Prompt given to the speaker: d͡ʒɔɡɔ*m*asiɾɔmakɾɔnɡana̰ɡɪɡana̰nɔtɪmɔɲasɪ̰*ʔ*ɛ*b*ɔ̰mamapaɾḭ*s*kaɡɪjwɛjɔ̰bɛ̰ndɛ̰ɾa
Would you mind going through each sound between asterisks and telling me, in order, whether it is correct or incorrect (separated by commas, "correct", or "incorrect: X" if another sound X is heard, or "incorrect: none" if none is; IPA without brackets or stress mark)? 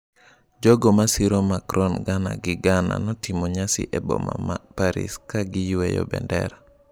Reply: correct, correct, correct, correct